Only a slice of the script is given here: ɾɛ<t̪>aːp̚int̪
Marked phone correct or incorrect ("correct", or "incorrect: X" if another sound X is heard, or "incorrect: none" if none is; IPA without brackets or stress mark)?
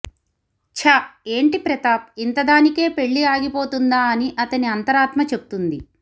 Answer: correct